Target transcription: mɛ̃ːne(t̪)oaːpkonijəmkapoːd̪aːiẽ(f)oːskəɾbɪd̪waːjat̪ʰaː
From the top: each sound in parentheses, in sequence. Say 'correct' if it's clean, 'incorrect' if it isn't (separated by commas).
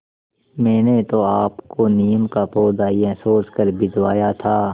correct, incorrect